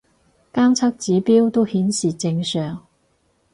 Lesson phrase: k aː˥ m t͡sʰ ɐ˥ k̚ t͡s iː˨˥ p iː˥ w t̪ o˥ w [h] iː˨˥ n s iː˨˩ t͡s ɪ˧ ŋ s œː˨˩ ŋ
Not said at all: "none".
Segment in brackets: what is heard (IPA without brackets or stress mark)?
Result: h